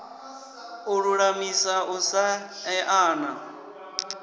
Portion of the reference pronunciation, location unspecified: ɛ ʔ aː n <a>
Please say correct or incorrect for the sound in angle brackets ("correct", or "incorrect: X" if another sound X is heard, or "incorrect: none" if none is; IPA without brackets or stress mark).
correct